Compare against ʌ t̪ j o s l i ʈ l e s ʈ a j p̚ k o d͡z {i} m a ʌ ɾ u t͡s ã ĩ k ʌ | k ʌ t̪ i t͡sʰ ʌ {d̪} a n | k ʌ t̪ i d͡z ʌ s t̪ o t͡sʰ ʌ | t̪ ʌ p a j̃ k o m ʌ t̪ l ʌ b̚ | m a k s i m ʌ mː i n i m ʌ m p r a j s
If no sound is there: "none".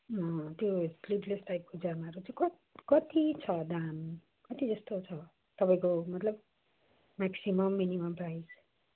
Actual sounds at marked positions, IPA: a, d̪

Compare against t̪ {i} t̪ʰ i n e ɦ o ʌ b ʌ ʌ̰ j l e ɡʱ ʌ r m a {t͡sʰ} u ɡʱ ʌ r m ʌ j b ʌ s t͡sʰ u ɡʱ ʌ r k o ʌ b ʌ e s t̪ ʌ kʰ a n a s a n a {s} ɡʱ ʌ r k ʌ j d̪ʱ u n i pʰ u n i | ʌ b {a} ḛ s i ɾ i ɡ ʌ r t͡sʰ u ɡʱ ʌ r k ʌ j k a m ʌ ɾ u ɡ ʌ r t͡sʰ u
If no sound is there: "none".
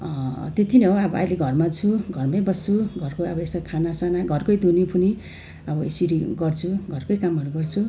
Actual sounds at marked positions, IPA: e, t͡sʰ, none, ʌ

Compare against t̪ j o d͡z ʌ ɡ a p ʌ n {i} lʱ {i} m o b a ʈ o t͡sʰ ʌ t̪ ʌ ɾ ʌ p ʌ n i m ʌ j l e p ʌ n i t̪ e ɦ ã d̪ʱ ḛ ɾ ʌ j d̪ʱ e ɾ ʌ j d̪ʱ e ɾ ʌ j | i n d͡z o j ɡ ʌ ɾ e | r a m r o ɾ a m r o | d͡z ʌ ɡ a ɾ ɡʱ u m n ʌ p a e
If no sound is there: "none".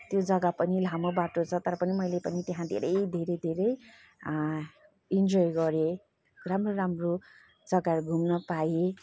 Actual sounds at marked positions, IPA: i, a

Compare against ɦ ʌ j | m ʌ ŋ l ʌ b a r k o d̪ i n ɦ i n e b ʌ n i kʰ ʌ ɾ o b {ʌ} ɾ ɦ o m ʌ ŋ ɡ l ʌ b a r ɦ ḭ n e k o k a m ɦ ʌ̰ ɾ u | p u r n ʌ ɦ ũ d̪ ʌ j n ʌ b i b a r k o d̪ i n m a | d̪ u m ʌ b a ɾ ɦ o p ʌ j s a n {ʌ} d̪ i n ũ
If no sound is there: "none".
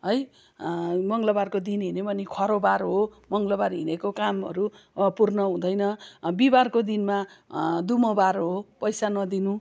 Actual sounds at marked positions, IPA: a, ʌ

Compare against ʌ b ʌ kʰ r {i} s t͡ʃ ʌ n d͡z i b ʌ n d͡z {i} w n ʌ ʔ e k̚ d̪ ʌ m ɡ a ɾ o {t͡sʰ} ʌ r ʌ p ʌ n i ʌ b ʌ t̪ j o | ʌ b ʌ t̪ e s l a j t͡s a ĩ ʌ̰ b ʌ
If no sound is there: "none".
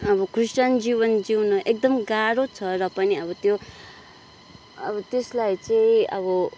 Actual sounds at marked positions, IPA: i, i, t͡sʰ

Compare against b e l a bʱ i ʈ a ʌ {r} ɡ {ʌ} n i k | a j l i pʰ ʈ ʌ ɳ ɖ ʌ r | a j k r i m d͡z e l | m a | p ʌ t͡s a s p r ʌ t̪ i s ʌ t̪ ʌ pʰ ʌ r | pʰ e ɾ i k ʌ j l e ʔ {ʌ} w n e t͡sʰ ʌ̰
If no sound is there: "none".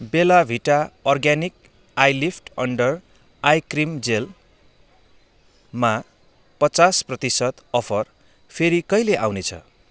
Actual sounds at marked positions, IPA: r, a, a

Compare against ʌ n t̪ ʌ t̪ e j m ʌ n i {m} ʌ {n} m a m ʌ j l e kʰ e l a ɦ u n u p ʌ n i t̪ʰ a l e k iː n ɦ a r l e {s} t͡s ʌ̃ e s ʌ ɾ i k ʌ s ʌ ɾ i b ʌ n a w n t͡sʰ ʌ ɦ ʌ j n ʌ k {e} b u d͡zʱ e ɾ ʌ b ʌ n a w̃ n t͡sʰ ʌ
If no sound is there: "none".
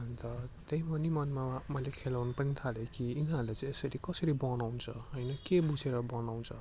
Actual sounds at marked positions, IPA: m, n, none, e

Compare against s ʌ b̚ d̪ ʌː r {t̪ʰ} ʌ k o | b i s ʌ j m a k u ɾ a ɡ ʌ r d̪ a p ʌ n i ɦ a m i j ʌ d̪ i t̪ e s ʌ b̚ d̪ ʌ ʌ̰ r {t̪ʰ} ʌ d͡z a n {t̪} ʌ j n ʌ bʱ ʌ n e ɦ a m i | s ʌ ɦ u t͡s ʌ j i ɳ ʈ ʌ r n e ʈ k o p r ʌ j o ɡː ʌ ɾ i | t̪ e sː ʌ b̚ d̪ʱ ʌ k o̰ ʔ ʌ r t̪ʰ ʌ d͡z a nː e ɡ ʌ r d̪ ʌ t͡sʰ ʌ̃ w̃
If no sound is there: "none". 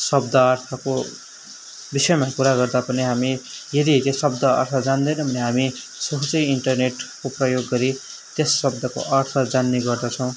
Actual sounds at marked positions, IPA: t̪ʰ, t̪ʰ, d̪

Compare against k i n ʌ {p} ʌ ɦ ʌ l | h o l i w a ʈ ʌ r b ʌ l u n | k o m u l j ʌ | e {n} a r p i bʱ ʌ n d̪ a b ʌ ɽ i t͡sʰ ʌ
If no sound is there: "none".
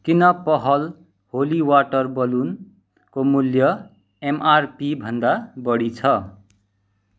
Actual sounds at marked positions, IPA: p, m

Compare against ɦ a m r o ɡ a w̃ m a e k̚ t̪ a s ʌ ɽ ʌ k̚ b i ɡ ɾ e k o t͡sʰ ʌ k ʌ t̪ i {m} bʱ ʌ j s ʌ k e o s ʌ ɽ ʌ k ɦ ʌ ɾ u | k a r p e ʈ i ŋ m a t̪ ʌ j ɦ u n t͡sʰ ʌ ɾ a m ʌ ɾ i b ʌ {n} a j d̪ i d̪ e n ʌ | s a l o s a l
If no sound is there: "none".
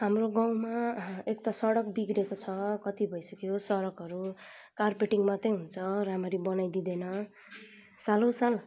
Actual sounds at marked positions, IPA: none, n

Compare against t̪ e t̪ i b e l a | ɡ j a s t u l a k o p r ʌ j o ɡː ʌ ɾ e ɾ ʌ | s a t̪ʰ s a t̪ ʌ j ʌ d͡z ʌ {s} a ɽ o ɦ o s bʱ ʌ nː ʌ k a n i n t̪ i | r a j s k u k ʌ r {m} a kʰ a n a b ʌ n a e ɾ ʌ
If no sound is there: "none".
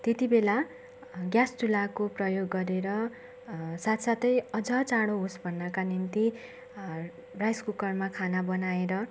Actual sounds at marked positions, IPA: t͡s, m

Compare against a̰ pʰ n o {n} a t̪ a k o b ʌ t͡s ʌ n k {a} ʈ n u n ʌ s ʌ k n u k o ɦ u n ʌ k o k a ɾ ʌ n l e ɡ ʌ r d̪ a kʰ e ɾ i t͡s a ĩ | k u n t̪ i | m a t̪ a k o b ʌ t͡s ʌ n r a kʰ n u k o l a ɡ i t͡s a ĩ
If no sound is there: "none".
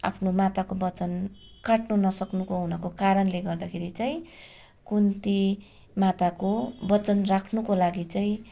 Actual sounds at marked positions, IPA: m, a

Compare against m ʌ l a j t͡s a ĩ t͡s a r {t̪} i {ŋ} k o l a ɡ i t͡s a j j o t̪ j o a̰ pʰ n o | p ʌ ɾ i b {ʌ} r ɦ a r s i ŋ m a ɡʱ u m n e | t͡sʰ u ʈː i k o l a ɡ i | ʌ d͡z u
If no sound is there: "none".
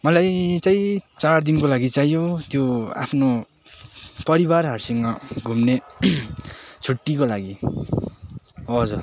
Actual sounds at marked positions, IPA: d̪, n, a

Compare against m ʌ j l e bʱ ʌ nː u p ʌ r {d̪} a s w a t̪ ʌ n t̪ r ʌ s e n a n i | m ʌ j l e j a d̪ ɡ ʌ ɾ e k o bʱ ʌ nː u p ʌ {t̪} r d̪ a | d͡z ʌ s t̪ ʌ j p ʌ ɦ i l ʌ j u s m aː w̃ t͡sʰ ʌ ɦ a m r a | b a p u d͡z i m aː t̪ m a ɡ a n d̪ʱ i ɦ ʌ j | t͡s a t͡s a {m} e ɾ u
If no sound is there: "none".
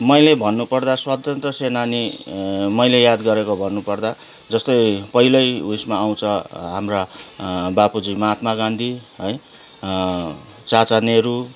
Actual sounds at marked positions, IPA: d̪, none, n

